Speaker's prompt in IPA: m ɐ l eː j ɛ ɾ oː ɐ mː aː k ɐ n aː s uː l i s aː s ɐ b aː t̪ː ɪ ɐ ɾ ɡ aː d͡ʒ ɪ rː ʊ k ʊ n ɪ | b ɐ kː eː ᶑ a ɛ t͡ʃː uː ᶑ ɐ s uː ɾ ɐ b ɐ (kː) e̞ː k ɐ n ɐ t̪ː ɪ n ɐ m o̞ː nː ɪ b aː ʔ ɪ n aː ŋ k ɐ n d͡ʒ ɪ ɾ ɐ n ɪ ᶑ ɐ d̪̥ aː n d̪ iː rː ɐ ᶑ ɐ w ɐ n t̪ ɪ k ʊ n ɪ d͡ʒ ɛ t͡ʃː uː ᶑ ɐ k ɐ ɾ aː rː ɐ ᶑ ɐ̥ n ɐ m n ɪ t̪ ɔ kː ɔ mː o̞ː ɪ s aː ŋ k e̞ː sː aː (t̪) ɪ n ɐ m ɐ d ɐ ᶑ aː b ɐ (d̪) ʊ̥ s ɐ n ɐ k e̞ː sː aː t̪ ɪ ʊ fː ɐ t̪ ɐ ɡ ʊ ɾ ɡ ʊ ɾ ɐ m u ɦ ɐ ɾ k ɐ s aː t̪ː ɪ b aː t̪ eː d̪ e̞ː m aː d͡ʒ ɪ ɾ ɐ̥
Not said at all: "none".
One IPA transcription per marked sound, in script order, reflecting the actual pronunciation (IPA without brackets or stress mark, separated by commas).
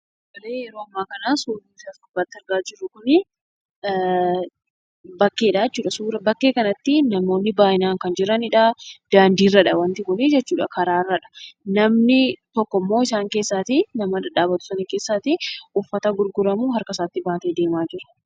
kː, t̪, t̪